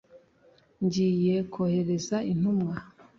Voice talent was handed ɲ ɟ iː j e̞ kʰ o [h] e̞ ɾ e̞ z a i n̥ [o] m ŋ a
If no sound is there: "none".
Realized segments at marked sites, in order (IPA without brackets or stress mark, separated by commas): h, u